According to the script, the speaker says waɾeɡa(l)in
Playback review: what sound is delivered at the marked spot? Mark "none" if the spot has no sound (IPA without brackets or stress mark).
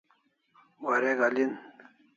l